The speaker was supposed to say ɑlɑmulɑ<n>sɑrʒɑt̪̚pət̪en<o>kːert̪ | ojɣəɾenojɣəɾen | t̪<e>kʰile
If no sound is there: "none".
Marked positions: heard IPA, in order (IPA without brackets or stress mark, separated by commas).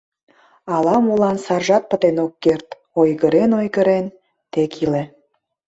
n, o, e